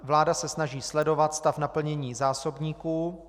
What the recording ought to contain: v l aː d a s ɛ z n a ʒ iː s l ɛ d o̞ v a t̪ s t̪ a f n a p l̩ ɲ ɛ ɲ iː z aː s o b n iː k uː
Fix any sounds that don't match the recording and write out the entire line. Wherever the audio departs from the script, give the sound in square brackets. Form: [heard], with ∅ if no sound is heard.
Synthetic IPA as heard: v l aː d a s ɛ [s] n a ʒ iː s l ɛ d o̞ v a t̪ s t̪ a f n a p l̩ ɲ ɛ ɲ iː z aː s o b [ɲ] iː k uː